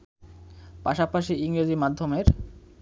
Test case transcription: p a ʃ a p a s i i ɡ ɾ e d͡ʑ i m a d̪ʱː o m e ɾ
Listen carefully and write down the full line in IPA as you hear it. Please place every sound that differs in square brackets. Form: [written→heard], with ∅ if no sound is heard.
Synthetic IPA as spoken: p a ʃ a p a [s→ʃ] i i [ɡ→ŋ] ɾ e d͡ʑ i m a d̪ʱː o m e ɾ